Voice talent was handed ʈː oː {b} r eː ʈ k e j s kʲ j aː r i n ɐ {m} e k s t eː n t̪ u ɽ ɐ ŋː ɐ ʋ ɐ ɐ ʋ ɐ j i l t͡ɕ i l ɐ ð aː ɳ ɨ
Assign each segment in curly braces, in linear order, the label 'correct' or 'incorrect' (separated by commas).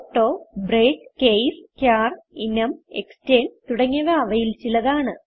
correct, correct